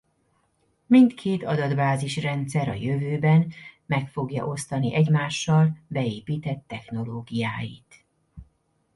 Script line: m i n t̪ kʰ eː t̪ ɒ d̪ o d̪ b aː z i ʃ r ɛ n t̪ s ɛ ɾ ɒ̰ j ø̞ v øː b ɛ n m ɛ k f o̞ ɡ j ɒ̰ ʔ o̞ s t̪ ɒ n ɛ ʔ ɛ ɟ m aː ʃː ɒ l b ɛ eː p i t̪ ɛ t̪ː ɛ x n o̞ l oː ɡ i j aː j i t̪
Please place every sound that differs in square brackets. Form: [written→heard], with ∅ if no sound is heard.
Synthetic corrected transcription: m i n t̪ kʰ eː t̪ ɒ d̪ [o→ɒ] d̪ b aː z i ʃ r ɛ n t̪ s ɛ ɾ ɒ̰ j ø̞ v øː b ɛ n m ɛ k f o̞ ɡ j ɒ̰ ʔ o̞ s t̪ ɒ n [ɛ→i] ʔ ɛ ɟ m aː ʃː ɒ l b ɛ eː p [i→iː] t̪ ɛ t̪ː ɛ x n o̞ l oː ɡ i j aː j i t̪